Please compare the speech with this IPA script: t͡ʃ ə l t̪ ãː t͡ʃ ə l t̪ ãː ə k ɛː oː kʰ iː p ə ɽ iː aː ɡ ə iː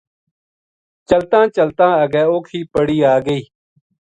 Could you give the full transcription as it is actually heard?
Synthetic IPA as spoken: t͡ʃ ə l t̪ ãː t͡ʃ ə l t̪ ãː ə ɡ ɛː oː kʰ iː p ə ɽ iː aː ɡ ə iː